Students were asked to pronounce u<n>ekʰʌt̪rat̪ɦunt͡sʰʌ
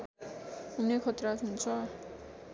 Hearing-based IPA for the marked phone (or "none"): n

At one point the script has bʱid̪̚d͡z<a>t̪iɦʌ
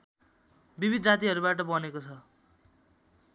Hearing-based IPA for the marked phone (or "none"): a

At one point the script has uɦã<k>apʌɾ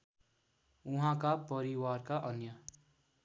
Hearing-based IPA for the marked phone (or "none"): k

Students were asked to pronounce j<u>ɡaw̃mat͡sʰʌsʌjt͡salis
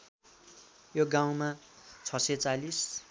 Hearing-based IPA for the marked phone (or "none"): o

